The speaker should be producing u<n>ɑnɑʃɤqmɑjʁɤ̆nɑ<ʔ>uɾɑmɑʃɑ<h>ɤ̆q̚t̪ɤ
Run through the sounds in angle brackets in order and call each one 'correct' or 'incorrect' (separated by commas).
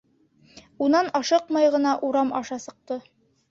correct, correct, incorrect